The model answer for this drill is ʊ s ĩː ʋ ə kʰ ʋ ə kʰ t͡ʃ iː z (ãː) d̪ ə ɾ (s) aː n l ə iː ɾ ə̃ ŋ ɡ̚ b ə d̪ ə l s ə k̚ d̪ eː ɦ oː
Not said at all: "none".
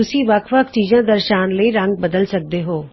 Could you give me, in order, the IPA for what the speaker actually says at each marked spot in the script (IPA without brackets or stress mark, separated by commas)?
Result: ãː, ʃ